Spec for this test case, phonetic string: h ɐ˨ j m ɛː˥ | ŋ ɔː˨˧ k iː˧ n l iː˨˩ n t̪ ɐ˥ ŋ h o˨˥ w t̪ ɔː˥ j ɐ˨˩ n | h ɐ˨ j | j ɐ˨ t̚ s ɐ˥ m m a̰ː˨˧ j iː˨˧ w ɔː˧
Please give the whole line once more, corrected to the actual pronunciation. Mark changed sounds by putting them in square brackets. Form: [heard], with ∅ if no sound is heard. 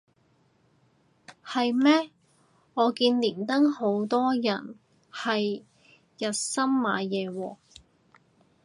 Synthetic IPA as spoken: h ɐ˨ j m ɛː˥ | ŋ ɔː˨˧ k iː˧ n l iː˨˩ n t̪ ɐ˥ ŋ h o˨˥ w t̪ ɔː˥ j ɐ˨˩ n | h ɐ˨ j | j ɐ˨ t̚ s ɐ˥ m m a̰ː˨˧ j [ɛː˨˧] w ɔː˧